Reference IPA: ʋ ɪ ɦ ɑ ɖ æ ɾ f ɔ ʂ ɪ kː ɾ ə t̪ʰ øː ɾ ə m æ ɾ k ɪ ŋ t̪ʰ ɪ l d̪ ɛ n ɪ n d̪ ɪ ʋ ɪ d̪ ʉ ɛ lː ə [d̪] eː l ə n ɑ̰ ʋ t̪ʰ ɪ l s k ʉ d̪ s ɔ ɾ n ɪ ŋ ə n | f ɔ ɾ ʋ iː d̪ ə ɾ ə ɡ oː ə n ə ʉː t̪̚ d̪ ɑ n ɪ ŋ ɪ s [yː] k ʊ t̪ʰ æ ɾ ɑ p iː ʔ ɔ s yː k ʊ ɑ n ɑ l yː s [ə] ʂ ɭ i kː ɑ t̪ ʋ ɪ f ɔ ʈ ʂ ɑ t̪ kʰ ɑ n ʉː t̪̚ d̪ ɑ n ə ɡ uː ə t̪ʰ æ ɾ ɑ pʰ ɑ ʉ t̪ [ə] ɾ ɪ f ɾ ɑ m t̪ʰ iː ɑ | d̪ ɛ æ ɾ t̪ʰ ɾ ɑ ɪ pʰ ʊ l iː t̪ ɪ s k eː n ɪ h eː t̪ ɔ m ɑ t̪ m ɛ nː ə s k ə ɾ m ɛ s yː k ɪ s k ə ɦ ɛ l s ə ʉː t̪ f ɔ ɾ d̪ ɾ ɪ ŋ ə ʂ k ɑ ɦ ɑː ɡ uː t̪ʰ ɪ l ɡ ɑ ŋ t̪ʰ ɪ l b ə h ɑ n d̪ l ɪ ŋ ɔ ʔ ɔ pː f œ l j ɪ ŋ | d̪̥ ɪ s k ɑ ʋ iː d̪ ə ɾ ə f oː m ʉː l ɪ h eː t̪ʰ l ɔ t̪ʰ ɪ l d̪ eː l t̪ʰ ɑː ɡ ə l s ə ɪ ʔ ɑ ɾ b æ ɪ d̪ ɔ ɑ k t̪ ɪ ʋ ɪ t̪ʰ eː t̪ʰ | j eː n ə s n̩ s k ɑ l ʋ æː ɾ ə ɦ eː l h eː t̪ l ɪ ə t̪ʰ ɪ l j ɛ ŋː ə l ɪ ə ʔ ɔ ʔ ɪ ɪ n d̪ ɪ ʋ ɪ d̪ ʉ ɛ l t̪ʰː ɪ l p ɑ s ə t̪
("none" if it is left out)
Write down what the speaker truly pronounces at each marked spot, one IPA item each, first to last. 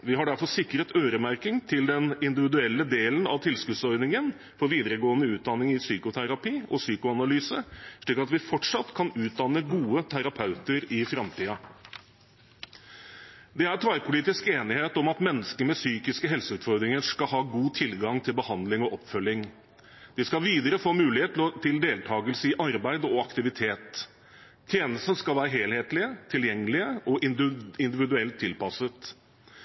d̪, yː, ə, ə

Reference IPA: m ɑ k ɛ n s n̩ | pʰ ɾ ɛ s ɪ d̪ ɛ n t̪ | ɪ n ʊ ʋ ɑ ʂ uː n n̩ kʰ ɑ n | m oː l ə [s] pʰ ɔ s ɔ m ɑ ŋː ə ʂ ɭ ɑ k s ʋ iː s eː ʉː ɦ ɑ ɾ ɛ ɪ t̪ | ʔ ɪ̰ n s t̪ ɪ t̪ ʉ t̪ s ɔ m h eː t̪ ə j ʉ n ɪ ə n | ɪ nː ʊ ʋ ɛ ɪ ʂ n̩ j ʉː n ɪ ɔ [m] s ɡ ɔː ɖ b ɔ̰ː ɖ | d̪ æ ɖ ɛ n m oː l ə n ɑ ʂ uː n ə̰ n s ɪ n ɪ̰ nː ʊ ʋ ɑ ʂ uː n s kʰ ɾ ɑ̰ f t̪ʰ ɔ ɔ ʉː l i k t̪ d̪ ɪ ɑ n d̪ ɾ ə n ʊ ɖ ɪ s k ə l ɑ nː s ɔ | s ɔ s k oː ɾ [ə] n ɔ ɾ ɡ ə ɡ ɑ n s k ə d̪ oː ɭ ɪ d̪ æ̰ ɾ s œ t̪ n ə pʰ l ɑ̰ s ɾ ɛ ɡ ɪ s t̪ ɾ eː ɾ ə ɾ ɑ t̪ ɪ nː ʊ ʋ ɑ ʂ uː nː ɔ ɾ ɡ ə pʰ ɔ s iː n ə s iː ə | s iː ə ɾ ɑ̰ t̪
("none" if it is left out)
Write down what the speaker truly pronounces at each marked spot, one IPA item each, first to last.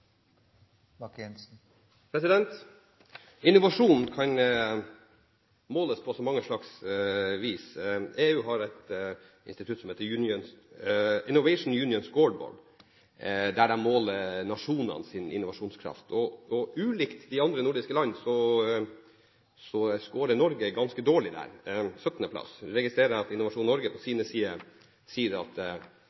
s, n, ə

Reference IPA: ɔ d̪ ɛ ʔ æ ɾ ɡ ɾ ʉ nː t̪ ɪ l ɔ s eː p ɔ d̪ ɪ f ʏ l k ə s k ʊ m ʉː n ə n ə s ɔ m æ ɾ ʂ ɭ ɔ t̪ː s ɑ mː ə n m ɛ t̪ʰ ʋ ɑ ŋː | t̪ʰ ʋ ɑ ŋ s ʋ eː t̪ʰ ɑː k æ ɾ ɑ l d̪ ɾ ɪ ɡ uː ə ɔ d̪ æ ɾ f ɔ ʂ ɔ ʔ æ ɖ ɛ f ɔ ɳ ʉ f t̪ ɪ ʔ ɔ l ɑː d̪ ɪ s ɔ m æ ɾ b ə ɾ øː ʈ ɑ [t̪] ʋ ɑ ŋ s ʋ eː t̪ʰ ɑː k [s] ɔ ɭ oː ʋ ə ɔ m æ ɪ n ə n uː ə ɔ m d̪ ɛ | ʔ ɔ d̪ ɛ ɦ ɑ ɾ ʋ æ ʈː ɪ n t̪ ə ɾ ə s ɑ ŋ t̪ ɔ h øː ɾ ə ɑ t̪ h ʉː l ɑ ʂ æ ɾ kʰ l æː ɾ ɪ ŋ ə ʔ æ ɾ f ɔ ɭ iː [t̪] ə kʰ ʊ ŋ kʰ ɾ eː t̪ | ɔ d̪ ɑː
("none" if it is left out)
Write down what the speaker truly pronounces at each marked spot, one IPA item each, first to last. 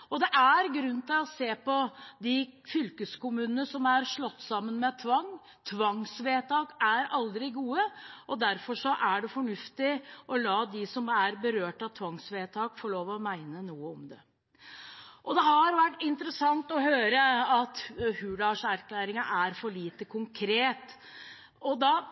t̪ʰ, f, t̪

